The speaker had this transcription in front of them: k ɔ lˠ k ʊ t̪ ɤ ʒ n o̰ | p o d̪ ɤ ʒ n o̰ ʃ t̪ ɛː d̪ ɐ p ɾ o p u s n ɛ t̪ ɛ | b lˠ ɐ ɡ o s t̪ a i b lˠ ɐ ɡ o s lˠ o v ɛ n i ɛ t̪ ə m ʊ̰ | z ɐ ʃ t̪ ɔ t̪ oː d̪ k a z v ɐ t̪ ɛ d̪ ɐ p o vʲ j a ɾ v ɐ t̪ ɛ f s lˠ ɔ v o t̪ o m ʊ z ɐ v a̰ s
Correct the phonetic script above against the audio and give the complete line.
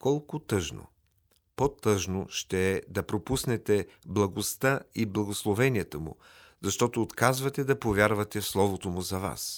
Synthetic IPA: k ɔ lˠ k ʊ t̪ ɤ ʒ n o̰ | p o t̪ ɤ ʒ n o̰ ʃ t̪ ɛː d̪ ɐ p ɾ o p u s n ɛ t̪ ɛ | b lˠ ɐ ɡ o s t̪ a i b lˠ ɐ ɡ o s lˠ o v ɛ n i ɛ t̪ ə m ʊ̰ | z ɐ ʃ t̪ ɔ t̪ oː t̪ k a z v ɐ t̪ ɛ d̪ ɐ p o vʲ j a ɾ v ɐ t̪ ɛ f s lˠ ɔ v o t̪ o m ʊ z ɐ v a̰ s